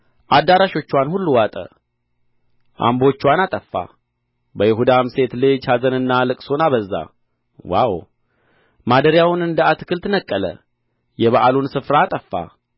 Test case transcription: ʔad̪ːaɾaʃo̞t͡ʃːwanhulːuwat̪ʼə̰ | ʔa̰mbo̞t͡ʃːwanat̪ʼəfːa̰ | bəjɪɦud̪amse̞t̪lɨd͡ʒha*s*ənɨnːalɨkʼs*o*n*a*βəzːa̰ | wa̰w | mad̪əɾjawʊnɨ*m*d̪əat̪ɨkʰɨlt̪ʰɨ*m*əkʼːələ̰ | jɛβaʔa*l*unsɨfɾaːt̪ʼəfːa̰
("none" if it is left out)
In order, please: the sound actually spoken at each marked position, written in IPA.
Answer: z, o, a, n, n, l

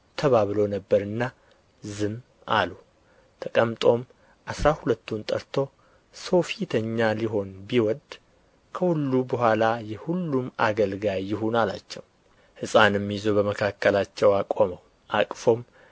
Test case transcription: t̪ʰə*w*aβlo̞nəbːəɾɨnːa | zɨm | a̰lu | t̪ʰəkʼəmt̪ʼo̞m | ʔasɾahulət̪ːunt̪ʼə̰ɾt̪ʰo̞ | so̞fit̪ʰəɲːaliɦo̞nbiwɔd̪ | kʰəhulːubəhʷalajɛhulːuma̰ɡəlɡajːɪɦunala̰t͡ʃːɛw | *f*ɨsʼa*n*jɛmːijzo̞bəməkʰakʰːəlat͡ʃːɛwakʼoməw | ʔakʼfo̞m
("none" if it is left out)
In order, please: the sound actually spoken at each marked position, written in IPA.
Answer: β, h, n

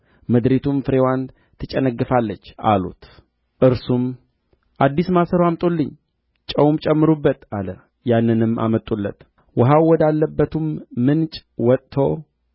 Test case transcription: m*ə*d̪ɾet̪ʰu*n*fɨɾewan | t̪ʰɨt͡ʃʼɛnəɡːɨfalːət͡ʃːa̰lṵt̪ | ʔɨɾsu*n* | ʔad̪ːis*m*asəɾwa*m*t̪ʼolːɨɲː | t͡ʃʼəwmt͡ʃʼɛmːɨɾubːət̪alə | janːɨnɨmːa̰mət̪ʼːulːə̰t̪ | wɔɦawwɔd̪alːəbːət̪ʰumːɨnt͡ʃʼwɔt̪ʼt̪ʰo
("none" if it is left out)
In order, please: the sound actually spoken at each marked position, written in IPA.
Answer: ə, m, m, m, m

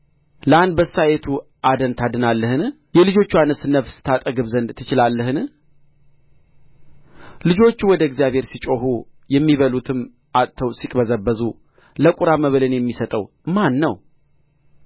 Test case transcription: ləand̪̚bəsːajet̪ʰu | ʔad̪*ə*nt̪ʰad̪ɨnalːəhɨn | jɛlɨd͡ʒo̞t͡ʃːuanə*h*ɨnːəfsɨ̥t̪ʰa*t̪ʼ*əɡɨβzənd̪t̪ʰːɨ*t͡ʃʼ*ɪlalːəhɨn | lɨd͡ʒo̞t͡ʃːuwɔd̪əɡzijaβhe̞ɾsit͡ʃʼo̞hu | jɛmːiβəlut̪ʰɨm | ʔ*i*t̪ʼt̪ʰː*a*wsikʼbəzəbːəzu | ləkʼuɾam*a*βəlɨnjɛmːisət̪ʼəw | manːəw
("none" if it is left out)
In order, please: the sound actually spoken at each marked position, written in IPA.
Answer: ə, s, t̪ʼ, t͡ʃ, a, ə, ə

